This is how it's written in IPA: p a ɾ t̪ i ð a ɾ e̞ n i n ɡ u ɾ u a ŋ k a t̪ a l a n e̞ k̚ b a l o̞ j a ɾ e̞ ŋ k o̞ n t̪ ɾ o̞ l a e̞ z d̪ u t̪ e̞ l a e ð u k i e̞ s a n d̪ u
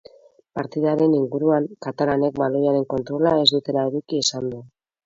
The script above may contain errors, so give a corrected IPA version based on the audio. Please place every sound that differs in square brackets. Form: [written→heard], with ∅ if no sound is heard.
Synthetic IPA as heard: p a ɾ t̪ i ð a ɾ e̞ n i [n→ŋ] ɡ u ɾ u a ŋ k a t̪ a l a n e̞ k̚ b a l o̞ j a ɾ e̞ ŋ k o̞ n t̪ ɾ o̞ l a e̞ z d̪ u t̪ e̞ l a e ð u k i e̞ s a n d̪ u